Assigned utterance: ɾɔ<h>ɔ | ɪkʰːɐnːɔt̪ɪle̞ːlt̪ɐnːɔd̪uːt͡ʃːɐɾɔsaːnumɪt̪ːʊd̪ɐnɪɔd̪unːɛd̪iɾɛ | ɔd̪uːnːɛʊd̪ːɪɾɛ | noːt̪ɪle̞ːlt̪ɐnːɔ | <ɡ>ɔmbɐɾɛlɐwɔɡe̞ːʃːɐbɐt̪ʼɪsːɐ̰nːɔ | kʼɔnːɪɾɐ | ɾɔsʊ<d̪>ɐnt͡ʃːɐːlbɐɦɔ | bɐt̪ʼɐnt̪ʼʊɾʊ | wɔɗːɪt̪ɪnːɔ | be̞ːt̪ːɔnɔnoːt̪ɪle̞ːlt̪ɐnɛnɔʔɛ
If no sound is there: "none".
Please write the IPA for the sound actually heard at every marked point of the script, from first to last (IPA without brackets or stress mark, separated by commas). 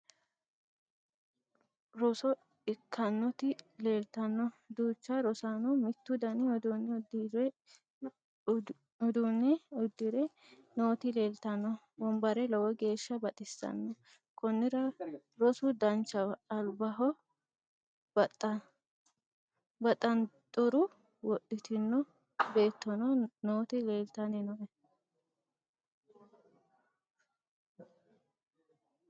s, b, d̪